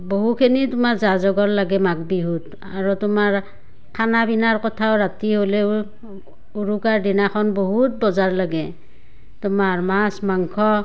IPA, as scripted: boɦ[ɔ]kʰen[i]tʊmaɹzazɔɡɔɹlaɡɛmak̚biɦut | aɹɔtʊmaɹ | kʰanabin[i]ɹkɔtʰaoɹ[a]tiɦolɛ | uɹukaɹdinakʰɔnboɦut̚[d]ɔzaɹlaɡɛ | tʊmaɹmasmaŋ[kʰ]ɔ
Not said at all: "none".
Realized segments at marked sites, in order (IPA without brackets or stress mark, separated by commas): u, i, a, a, b, kʰ